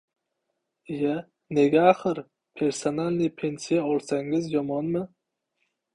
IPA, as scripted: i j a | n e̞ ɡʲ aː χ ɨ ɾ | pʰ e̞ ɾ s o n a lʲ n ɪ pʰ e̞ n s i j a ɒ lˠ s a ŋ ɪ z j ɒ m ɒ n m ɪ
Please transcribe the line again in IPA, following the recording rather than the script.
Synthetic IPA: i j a | n e̞ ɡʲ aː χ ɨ ɾ | pʰ e̞ ɾ s o n a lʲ n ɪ pʰ e̞ n s i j a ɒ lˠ s a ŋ ɪ z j ɒ m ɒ n m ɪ

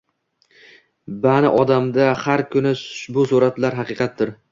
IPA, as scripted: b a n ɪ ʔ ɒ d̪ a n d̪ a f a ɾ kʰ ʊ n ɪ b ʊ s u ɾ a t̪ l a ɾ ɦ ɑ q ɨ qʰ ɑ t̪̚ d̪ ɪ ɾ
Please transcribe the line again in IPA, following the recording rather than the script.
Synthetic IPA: b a n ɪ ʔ ɒ d̪ a m d̪ a h a ɾ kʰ ʊ n ɪ b ʊ s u ɾ a t̪ l a ɾ ɦ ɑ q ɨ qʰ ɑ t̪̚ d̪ ɪ ɾ

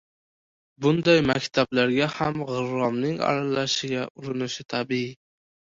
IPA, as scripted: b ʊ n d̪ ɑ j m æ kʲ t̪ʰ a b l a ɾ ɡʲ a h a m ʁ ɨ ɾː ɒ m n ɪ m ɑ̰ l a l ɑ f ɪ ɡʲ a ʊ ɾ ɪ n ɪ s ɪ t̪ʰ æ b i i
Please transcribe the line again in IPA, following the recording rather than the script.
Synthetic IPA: b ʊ n d̪ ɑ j m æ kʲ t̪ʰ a b l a ɾ ɡʲ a h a m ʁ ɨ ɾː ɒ m n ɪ ŋ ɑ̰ ɾ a l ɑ ʃ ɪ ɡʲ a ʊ ɾ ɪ n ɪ ʃ ɪ t̪ʰ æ b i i

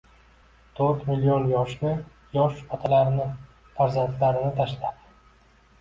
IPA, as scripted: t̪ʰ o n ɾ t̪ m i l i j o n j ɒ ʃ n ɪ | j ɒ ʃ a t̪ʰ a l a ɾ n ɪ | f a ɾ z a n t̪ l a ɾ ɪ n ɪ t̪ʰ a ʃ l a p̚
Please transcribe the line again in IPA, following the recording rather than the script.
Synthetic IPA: t̪ʰ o ɾ t̪ m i l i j o n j ɒ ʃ n ɪ | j ɒ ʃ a t̪ʰ a l a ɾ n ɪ | f a ɾ z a n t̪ l a ɾ ɪ n ɪ t̪ʰ a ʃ l a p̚

